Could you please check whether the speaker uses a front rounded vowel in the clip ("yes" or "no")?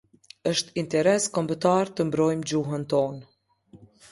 no